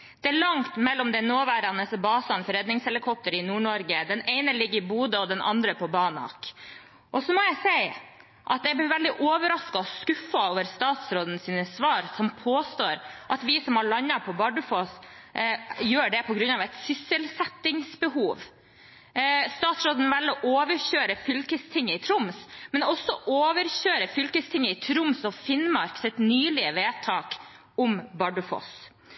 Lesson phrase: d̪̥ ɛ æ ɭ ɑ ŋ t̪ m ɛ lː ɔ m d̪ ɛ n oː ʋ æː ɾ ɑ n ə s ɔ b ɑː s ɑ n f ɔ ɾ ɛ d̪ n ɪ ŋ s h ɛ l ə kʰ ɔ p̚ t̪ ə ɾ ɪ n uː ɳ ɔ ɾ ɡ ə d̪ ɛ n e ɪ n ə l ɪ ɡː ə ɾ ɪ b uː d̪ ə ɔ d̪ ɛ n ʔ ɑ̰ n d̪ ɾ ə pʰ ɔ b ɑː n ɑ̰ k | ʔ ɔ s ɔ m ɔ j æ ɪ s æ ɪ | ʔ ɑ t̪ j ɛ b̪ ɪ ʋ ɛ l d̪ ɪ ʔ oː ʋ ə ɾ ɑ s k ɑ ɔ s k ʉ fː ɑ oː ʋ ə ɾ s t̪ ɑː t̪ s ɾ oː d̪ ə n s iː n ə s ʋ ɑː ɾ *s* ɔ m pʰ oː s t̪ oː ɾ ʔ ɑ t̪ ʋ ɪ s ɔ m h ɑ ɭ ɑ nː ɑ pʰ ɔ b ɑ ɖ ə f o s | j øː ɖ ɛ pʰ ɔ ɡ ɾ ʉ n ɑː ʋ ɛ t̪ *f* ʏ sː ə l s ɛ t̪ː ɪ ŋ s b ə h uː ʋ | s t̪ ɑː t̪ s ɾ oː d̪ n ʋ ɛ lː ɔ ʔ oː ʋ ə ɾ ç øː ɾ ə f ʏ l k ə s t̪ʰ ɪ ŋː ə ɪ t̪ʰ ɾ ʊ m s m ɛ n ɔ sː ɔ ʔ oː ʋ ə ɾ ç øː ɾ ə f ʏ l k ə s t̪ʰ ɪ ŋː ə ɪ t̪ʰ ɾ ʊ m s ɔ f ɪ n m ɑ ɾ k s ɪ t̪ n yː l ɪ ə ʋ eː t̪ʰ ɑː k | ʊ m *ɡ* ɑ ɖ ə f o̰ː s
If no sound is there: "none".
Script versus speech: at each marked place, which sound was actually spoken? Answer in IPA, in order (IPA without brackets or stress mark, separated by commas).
s, s, b